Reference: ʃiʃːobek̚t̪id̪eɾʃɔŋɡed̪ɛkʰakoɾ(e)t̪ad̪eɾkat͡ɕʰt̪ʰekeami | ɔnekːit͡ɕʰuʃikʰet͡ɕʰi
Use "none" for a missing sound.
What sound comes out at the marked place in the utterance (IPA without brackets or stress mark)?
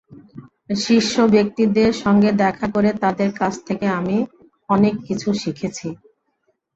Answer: e